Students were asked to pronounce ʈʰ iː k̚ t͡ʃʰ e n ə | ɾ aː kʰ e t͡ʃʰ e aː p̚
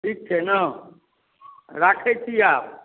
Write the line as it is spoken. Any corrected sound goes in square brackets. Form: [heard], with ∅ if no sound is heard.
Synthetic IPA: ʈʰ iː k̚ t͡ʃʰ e n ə | ɾ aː kʰ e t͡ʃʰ [i] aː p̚